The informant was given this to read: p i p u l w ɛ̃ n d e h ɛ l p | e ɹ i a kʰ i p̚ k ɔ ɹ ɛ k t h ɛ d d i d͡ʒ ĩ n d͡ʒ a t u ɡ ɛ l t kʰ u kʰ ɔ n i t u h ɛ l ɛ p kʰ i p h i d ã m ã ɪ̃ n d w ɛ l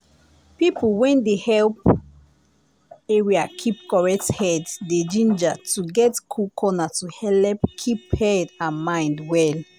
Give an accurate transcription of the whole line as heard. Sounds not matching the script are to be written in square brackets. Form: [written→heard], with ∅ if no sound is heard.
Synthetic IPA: p i p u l w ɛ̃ n d e h ɛ l p | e ɹ i a kʰ i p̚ k ɔ ɹ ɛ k t h ɛ d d [i→e] d͡ʒ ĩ n d͡ʒ a t u ɡ ɛ [l→∅] t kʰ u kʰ ɔ n [i→a] t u h ɛ l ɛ p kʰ i p h [i→ɛ] d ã m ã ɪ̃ n d w ɛ l